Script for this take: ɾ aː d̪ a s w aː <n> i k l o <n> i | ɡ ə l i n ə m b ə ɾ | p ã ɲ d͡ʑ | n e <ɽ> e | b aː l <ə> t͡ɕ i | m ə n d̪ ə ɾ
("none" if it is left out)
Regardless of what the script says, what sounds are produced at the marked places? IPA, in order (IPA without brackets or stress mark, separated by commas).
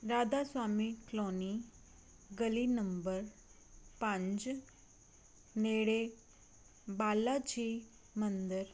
m, n, ɽ, a